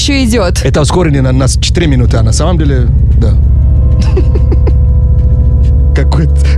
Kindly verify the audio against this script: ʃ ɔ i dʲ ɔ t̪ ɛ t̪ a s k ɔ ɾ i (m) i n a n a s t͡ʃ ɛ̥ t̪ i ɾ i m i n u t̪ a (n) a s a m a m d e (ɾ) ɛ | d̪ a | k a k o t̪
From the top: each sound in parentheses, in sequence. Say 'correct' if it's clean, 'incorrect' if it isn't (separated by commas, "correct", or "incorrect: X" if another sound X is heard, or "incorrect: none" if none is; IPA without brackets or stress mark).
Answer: incorrect: n, correct, incorrect: l